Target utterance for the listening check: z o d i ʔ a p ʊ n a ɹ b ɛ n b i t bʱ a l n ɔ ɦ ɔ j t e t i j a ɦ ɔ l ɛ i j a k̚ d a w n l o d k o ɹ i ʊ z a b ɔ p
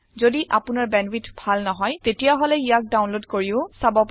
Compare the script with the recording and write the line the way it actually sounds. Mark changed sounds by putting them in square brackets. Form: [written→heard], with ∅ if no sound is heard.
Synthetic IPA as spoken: z o d i ʔ a p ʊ n a ɹ b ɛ n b i t bʱ a l n ɔ ɦ ɔ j t e t i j a ɦ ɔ l ɛ i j a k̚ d a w n l o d k o ɹ i ʊ [z→s] a b ɔ p